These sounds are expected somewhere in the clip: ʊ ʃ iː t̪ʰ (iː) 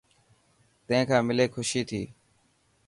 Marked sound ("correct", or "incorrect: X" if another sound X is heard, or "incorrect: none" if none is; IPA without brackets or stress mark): correct